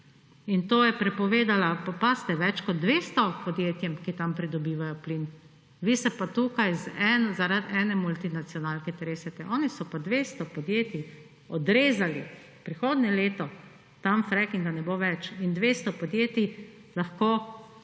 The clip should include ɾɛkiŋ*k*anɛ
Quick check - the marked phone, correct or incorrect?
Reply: incorrect